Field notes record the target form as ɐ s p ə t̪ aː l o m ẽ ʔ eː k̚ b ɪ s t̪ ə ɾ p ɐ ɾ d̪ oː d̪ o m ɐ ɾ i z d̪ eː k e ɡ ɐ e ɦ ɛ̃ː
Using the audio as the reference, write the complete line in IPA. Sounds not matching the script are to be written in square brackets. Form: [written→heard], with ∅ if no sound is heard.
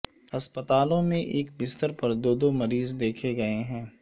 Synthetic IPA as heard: ɐ s p ə t̪ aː l [o→õ] m ẽ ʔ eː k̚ b ɪ s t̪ ə ɾ p ɐ ɾ d̪ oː d̪ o m ɐ ɾ [i→iː] z d̪ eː [k→kʰ] e ɡ ɐ e ɦ ɛ̃ː